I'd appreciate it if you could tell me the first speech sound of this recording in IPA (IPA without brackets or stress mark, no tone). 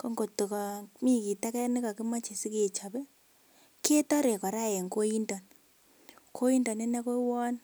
k